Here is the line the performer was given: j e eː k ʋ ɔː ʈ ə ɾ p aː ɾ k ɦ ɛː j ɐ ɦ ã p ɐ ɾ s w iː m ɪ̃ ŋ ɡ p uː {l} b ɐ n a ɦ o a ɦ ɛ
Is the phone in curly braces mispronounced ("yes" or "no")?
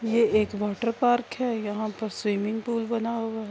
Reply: no